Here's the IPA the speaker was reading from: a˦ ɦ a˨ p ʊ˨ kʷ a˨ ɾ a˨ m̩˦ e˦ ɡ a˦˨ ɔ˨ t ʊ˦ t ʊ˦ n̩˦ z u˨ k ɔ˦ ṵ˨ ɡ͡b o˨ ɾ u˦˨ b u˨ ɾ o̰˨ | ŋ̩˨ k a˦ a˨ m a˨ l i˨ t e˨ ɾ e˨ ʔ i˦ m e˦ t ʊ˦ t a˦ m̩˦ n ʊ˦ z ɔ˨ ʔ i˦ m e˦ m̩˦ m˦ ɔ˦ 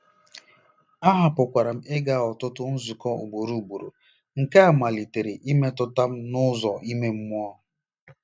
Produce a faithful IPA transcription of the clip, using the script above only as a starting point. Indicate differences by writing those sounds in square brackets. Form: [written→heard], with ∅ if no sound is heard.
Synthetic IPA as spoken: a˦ ɦ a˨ p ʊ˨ kʷ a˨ ɾ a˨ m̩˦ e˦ ɡ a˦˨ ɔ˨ t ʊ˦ t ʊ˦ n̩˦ z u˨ k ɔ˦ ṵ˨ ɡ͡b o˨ ɾ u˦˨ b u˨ ɾ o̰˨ | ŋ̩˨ k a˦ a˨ m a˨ l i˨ t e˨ ɾ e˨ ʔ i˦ m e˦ t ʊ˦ t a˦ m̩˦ n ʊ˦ z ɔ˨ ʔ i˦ m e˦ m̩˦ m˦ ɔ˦